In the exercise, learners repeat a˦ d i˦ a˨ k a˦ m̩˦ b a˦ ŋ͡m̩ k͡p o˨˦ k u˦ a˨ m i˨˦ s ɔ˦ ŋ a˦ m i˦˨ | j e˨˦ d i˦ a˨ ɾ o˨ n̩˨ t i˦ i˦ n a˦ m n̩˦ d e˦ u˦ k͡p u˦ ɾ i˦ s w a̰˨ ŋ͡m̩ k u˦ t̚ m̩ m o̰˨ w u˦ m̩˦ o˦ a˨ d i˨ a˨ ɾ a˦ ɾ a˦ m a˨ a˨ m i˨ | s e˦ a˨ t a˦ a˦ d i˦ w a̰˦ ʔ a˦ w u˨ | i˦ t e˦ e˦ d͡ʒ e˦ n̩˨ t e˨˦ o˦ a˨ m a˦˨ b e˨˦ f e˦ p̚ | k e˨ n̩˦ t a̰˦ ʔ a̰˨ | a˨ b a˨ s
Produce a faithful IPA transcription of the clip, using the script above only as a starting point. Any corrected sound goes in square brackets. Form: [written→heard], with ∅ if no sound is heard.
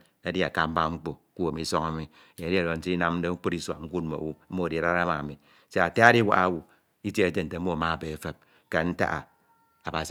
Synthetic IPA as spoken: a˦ d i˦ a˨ k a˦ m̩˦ b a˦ ŋ͡m̩ k͡p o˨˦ k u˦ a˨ m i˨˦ s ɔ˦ ŋ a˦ m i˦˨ | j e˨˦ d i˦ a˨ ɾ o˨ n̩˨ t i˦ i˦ n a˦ m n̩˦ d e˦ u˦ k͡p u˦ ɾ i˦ s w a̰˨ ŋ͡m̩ k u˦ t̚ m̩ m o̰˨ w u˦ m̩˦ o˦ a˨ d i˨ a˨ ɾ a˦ ɾ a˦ m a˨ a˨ m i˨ | s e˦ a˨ t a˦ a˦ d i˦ w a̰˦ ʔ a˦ w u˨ | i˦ t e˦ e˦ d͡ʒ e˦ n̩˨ t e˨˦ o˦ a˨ m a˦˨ b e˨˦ f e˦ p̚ | k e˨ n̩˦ t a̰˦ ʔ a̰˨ | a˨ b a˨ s

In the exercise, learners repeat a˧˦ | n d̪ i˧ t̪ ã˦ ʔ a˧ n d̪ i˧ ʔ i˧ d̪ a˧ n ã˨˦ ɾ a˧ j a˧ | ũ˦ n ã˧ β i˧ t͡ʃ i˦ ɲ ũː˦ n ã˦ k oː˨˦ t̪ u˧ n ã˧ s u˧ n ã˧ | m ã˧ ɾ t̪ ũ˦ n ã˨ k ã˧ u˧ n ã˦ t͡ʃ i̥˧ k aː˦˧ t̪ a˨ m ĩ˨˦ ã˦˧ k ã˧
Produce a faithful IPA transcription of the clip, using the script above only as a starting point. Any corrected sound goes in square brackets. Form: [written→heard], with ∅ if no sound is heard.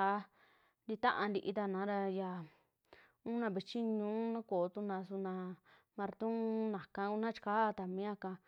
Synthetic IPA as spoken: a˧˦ | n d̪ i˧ t̪ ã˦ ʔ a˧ n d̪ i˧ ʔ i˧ [d̪→t̪] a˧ n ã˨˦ ɾ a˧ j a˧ | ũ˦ n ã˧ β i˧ t͡ʃ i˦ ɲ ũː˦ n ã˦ k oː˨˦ t̪ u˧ n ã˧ s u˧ n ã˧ | m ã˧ ɾ t̪ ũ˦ n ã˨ k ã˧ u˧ n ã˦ t͡ʃ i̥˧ k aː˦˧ t̪ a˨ m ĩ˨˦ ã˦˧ k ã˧

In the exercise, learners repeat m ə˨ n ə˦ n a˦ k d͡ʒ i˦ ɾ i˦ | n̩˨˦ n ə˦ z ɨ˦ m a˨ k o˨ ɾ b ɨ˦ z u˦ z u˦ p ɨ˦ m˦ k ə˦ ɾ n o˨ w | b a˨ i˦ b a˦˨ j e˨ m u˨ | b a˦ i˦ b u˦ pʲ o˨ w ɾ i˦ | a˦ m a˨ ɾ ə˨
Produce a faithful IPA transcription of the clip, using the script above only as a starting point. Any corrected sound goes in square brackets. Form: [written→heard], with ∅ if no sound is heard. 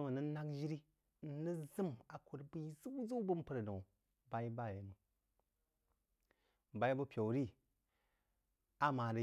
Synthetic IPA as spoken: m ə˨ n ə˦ n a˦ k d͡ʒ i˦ ɾ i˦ | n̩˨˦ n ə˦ z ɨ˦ m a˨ k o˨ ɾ b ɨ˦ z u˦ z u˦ [p→b] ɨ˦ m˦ [k→p] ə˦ ɾ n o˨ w | b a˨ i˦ b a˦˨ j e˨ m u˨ | b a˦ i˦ b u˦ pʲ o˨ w ɾ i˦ | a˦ m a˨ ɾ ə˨

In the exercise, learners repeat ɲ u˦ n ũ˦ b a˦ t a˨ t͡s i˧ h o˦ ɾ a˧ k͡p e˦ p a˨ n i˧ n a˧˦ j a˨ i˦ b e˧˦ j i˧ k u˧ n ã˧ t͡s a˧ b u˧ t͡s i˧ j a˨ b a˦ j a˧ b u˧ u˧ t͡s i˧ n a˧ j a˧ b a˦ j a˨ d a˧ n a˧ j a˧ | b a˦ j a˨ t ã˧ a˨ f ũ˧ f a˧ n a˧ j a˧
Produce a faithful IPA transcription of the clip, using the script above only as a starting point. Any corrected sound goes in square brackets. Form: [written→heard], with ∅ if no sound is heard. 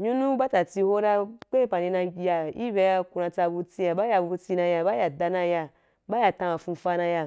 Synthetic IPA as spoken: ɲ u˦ n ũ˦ b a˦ t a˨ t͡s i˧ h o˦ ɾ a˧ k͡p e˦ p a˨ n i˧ n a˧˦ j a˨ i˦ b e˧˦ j [i˧→a˧] k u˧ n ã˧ t͡s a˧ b u˧ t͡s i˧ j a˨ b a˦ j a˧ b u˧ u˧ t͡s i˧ n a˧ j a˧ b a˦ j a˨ d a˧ n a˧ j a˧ | b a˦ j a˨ t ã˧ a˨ f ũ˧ f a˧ n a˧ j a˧

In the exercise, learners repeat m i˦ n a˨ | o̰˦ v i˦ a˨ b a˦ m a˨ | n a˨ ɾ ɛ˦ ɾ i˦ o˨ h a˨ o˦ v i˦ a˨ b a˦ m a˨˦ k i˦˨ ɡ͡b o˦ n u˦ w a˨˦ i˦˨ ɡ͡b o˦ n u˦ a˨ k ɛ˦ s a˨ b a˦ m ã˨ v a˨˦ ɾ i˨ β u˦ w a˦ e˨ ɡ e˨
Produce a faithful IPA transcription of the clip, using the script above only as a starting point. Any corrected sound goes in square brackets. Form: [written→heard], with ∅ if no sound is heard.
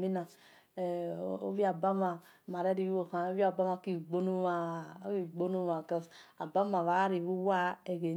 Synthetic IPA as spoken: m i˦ n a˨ | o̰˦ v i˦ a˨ b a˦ m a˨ | [n→m] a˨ ɾ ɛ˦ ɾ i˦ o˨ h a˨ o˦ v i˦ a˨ b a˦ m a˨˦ k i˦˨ ɡ͡b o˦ n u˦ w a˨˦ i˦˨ ɡ͡b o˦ n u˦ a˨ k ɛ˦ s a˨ b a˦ m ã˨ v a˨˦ ɾ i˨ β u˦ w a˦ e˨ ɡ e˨

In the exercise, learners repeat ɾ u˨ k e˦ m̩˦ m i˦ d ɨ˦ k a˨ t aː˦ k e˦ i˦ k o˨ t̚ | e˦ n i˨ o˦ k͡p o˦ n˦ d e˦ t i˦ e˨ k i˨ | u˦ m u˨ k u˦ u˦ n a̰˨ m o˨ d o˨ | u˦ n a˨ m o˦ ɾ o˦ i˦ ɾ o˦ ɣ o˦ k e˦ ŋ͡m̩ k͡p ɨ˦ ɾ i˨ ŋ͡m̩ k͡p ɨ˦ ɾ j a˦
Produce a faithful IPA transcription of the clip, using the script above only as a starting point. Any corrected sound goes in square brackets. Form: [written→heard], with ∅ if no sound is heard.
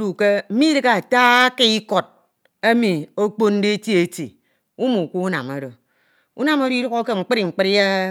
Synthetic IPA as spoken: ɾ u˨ k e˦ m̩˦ m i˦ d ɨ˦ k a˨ t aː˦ k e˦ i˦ k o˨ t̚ | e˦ [n→m] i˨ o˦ k͡p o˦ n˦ d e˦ t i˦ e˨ [k→t] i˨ | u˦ m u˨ k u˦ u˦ n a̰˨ m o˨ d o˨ | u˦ n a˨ m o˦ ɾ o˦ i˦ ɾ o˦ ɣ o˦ k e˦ ŋ͡m̩ k͡p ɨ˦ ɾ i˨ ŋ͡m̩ k͡p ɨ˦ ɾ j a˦

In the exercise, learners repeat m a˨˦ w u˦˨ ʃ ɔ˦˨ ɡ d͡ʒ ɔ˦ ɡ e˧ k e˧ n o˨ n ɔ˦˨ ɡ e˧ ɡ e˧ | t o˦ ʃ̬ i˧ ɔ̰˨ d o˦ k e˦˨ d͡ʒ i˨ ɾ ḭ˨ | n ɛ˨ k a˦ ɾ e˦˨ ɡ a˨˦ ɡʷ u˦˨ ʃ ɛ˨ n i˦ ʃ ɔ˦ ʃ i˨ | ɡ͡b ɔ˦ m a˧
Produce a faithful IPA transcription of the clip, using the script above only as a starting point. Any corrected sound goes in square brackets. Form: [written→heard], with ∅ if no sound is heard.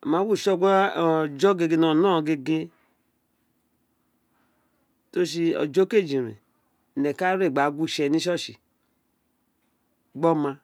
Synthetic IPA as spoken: m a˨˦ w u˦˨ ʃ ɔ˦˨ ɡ d͡ʒ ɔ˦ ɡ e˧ [k→ɡ] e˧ n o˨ n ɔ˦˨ ɡ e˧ ɡ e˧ | t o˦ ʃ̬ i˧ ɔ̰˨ [d→d͡ʒ] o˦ k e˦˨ d͡ʒ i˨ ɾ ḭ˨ | n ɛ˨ k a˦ ɾ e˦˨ [ɡ→ɡ͡b] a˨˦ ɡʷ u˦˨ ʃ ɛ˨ n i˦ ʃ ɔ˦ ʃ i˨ | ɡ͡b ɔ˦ m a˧

